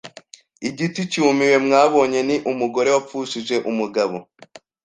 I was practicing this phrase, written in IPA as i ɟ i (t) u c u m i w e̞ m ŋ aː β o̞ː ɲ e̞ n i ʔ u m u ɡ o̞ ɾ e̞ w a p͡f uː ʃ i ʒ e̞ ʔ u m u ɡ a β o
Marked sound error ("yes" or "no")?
no